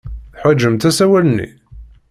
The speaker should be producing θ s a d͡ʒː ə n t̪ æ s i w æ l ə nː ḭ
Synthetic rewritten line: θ ħ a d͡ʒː ə m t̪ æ s æ w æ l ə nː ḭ